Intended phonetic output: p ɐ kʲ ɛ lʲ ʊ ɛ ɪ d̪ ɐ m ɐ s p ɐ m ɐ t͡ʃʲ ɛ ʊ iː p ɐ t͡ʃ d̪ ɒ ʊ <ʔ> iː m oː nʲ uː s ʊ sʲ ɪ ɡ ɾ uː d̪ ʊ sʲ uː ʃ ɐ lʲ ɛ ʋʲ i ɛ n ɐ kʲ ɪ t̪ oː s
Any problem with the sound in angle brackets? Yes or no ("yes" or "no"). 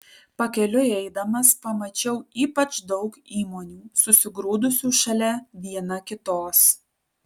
yes